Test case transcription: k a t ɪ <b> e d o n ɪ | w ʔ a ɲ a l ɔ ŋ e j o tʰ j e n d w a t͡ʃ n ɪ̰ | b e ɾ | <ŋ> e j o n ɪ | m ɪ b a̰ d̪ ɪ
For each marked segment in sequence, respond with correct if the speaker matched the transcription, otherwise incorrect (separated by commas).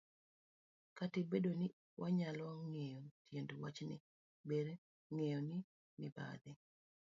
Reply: correct, correct